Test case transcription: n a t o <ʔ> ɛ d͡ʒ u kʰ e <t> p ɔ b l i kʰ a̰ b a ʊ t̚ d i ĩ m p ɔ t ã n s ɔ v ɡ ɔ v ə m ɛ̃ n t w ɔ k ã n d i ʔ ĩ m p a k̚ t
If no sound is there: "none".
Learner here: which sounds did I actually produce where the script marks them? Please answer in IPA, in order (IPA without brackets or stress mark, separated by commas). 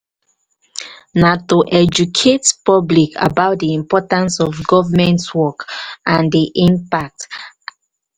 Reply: ʔ, t